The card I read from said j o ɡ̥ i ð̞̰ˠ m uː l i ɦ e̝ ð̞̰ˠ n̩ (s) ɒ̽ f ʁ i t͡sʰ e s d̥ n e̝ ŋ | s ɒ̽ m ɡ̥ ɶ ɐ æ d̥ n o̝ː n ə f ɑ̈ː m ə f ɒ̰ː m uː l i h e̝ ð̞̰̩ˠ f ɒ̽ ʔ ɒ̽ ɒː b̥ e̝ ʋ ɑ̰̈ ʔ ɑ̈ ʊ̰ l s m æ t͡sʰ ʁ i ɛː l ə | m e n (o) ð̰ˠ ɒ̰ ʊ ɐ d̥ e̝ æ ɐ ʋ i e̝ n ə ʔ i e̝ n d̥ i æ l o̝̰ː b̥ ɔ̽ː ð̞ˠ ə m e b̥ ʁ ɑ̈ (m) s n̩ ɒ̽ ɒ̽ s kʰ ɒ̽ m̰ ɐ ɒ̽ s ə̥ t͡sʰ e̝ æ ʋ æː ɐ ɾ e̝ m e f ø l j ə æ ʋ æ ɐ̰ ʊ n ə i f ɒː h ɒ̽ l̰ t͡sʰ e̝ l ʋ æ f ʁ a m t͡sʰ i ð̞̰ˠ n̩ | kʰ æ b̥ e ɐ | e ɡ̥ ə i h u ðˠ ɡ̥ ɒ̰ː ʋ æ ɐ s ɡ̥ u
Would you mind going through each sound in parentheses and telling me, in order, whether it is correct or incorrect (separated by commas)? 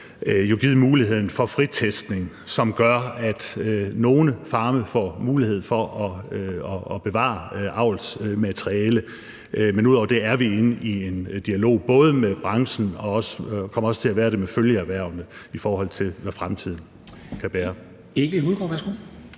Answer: incorrect, incorrect, incorrect